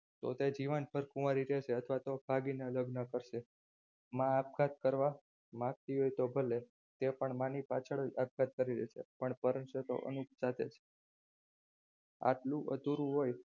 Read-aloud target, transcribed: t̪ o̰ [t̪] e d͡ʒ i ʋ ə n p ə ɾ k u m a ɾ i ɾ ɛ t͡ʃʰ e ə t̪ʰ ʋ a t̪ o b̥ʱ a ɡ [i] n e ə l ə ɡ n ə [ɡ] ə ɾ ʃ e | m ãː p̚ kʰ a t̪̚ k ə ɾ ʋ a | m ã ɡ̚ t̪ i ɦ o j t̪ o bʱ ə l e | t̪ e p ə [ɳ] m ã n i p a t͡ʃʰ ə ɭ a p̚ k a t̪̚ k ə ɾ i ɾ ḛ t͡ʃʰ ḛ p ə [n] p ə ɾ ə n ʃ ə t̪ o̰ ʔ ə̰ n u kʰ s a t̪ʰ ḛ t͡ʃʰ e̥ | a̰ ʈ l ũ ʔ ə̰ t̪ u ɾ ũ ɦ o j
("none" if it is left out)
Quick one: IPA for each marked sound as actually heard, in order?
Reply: t̪, i, k, ɳ, ɳ

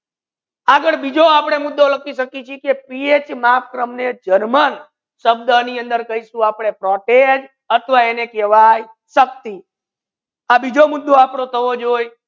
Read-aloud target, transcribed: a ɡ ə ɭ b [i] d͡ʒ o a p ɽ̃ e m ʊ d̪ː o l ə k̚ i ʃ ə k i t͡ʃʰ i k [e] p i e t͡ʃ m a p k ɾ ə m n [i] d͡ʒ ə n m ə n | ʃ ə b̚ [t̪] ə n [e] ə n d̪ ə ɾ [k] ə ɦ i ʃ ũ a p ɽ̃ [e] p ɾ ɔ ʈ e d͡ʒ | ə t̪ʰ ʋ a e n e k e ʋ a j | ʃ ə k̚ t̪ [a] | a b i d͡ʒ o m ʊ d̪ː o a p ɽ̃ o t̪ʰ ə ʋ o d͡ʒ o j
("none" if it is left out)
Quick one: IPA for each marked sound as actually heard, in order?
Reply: i, e, e, d̪, i, k, e, i

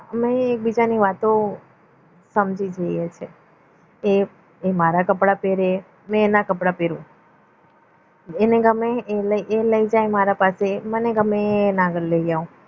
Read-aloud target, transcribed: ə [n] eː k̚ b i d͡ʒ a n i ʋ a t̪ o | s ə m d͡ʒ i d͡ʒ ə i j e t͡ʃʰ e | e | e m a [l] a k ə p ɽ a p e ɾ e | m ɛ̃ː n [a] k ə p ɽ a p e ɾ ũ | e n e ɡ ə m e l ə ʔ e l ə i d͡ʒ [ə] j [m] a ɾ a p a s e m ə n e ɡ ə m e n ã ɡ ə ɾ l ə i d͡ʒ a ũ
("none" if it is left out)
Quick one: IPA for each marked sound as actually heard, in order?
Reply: m, ɾ, a, a, m

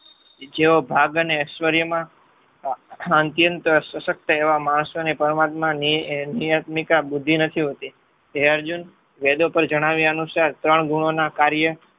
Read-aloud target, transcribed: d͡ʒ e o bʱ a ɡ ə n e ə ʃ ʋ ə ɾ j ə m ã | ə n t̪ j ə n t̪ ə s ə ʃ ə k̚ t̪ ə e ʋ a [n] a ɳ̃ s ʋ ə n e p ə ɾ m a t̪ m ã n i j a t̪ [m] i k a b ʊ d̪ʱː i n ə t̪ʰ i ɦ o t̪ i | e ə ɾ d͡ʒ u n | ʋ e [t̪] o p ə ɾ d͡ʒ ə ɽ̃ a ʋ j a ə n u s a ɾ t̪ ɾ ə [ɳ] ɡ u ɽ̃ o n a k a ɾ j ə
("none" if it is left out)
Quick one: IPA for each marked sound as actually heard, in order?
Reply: m, m, d̪, ɳ

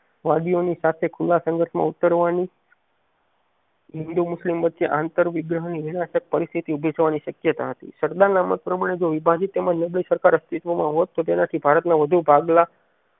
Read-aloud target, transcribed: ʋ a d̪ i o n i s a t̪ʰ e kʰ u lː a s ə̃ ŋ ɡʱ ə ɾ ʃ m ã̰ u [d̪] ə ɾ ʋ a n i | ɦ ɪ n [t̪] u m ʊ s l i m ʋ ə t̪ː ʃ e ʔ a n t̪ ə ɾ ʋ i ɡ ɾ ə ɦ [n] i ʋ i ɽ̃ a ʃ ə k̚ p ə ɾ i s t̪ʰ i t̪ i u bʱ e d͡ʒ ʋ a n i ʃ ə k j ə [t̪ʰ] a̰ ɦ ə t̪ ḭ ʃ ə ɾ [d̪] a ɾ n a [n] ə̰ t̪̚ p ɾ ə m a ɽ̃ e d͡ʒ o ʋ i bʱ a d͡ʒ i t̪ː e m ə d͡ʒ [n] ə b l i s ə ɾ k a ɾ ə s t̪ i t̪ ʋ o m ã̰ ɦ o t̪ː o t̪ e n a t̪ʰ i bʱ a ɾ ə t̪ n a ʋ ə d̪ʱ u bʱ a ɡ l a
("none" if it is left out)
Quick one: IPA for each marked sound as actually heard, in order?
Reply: t̪, d̪, n, t̪, d̪, m, n

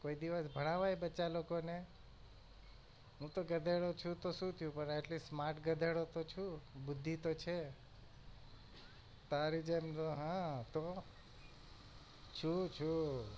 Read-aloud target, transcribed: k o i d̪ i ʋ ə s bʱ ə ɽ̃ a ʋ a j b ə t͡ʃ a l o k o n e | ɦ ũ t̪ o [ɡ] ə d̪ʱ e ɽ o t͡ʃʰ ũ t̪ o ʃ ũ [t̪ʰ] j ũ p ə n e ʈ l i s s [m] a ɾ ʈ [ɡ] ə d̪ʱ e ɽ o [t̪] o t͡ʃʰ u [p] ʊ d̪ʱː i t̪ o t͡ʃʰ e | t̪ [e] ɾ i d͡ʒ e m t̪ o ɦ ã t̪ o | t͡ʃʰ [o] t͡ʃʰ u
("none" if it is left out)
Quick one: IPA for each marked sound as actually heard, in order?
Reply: ɡ, t̪ʰ, m, ɡ, t̪, b, a, u

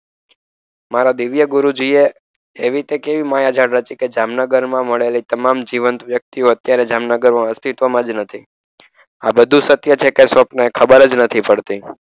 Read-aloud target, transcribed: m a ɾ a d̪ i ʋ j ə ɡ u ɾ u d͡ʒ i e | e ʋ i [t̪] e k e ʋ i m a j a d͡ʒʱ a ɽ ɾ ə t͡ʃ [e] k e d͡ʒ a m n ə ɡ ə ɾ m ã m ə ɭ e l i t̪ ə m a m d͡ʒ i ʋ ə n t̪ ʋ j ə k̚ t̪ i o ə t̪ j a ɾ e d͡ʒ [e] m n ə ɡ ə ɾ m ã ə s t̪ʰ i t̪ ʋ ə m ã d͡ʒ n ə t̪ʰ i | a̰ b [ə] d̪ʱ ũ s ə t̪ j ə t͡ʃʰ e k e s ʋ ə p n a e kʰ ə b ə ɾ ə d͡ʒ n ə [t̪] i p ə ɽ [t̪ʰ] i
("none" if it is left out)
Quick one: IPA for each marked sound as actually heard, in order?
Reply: t̪, i, a, ə, t̪ʰ, t̪

